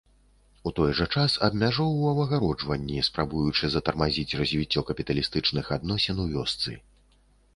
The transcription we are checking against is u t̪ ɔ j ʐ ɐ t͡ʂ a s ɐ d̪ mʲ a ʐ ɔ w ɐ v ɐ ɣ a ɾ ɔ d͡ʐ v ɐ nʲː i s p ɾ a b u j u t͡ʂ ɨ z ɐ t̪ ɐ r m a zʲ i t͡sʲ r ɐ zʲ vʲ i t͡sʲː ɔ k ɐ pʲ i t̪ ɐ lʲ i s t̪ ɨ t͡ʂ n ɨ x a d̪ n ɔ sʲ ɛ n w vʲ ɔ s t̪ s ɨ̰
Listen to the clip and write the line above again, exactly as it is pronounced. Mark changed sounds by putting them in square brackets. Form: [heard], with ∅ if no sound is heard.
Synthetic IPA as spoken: u t̪ ɔ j ʐ ɐ t͡ʂ a s ɐ d̪ mʲ a ʐ ɔ w ɐ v ɐ ɣ a ɾ ɔ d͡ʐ v ɐ nʲː i s p ɾ a b u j u t͡ʂ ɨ z ɐ t̪ ɐ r m a zʲ i t͡sʲ r ɐ zʲ vʲ i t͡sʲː ɔ k ɐ pʲ i t̪ ɐ lʲ i s t̪ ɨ t͡ʂ n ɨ x a d̪ n ɔ sʲ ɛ n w vʲ ɔ s t̪ s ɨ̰